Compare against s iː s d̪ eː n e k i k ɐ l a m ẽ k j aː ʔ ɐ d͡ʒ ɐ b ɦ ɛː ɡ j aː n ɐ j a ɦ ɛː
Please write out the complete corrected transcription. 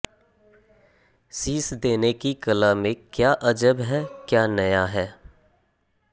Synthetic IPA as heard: s iː s d̪ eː n e k i k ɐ l a m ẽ k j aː ʔ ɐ d͡ʒ ə b ɦ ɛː k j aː n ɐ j a ɦ ɛː